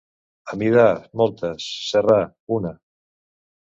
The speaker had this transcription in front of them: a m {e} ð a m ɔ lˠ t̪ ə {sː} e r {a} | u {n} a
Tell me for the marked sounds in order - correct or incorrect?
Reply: incorrect, correct, correct, correct

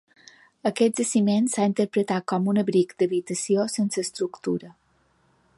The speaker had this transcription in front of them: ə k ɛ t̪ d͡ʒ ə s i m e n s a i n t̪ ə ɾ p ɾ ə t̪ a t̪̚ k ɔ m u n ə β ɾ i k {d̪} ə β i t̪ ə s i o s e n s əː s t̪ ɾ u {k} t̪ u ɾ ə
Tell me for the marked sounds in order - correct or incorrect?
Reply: correct, correct

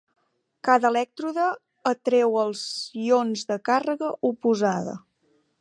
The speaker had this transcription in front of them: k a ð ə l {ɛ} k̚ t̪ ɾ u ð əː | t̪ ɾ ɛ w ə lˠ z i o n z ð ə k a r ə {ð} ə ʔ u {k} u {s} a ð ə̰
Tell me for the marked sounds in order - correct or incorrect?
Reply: correct, incorrect, incorrect, incorrect

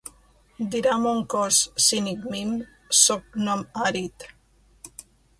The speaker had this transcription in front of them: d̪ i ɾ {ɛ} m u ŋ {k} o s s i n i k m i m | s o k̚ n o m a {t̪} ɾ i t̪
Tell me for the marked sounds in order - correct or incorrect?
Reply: incorrect, correct, incorrect

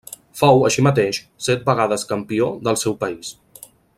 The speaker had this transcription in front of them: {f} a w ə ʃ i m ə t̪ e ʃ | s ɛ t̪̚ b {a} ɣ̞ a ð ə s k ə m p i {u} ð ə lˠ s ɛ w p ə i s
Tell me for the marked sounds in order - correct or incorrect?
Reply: correct, incorrect, incorrect

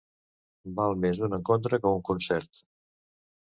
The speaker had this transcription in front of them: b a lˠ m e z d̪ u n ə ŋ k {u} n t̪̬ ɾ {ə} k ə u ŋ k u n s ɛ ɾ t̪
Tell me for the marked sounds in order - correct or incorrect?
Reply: incorrect, correct

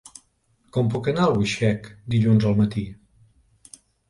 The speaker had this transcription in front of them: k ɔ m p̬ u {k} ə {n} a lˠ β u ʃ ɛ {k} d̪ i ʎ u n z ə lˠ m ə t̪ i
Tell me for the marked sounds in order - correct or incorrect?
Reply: correct, correct, correct

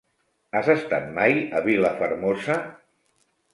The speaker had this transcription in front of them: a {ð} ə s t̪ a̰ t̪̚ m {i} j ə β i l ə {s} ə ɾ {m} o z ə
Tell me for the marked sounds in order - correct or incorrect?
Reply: incorrect, incorrect, incorrect, correct

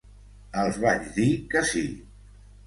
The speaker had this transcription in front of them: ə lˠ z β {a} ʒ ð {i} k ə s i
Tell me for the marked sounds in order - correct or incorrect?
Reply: correct, correct

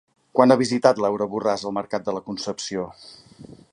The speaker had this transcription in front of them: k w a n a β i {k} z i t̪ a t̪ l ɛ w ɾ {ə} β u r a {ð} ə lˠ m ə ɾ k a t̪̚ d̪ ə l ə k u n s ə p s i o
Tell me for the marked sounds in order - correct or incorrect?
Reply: incorrect, correct, incorrect

